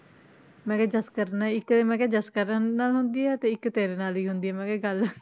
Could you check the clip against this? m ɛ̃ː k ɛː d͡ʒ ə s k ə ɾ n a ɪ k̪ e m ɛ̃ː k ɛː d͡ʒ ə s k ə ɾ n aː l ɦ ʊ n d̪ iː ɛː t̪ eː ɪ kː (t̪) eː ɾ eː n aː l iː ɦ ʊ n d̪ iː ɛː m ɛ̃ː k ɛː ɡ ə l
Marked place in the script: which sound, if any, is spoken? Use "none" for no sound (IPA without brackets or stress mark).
t̪